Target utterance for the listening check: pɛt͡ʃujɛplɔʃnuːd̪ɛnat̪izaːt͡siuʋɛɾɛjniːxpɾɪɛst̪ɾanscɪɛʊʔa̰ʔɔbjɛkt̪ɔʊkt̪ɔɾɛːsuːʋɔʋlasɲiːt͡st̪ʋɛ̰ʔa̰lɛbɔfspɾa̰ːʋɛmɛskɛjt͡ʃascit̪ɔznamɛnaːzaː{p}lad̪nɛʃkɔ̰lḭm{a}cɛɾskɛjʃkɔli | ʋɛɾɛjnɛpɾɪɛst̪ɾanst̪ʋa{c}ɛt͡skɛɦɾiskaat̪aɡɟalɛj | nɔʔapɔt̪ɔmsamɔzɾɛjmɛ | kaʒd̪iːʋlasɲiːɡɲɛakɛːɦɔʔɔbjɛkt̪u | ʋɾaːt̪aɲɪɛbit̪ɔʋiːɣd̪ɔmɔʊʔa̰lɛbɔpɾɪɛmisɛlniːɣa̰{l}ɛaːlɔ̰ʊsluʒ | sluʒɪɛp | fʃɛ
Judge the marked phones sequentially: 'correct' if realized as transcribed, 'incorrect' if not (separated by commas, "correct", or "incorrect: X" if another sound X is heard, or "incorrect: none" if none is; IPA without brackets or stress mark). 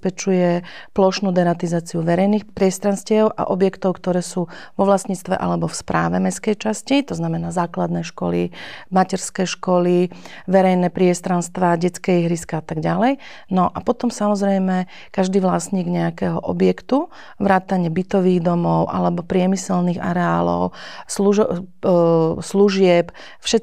incorrect: k, correct, incorrect: ɟ, incorrect: ɾ